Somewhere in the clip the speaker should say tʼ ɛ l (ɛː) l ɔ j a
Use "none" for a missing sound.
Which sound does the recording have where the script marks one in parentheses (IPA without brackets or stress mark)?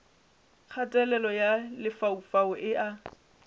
ɛ